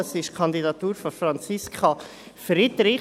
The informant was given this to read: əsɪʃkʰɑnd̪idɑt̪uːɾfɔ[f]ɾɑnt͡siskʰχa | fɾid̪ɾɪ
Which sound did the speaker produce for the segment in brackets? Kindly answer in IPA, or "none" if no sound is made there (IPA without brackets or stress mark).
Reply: f